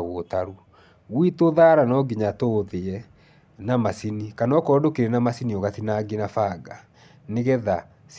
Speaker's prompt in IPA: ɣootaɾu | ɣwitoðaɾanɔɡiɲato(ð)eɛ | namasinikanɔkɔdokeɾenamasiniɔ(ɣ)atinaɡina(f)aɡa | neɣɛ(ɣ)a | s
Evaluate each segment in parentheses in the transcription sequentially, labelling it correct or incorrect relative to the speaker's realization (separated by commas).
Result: correct, correct, correct, incorrect